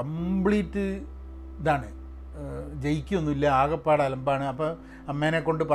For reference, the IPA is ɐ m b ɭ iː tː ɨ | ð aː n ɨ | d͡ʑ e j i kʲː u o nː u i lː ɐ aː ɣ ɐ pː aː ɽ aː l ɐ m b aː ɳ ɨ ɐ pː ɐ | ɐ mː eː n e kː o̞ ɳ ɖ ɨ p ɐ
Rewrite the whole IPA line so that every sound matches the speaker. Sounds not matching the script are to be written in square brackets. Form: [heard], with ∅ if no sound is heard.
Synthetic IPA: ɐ m b ɭ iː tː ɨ | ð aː [ɳ] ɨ | d͡ʑ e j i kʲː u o nː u i lː ɐ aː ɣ ɐ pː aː ɽ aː l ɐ m b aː ɳ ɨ ɐ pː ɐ | ɐ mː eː n e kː o̞ ɳ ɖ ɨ p ɐ